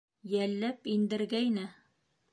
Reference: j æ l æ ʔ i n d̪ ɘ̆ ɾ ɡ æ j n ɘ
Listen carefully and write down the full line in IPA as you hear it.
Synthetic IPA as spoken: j æ lː æ p i n d̪ ɘ̆ ɾ ɡ æ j n ɘ